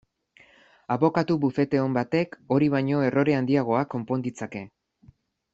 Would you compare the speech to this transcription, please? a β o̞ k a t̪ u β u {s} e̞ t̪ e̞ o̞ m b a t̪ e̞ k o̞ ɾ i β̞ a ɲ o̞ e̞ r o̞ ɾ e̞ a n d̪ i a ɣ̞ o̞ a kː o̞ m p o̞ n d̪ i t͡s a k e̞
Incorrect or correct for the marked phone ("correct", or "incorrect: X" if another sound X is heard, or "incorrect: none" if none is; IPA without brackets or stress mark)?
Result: incorrect: f